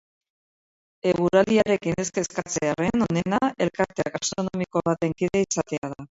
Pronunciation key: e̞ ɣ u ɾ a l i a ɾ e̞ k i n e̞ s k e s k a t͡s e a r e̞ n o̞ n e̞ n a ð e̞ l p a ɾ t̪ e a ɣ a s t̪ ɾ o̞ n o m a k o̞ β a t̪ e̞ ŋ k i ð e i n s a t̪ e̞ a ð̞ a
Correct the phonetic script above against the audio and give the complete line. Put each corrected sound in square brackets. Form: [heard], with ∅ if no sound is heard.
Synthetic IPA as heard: e̞ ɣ u ɾ a l i a ɾ e̞ k i n e̞ s k e s k a t͡s e a r e̞ n o̞ n e̞ n a [∅] e̞ l [k] a ɾ t̪ e a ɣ a s t̪ ɾ o̞ n o m [i] k o̞ β a t̪ e̞ ŋ k i ð e i [∅] s a t̪ e̞ a ð̞ a